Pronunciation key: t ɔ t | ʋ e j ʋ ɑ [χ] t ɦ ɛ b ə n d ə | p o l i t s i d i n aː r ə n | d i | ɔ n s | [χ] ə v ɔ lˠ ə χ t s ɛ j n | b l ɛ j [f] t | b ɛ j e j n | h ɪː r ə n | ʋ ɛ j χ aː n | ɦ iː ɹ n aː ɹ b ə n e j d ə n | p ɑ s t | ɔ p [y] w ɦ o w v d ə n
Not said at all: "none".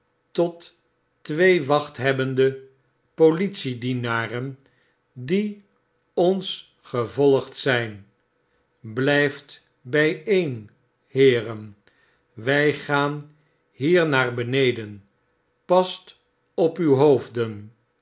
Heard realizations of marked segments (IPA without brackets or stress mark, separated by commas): χ, χ, f, y